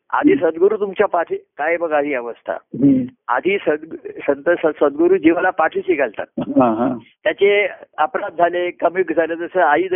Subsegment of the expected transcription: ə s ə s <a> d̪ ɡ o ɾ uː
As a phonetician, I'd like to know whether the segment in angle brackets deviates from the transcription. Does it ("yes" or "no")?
yes